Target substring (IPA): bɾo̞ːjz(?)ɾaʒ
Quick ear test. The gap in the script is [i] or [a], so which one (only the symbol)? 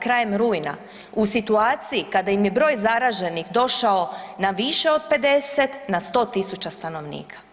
a